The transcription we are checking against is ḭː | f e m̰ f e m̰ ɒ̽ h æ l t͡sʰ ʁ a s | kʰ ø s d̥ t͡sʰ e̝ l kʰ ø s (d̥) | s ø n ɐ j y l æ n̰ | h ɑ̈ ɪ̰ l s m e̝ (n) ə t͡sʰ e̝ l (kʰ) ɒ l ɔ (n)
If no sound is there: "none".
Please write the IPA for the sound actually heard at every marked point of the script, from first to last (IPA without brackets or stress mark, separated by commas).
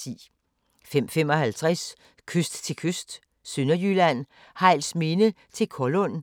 d̥, n, kʰ, n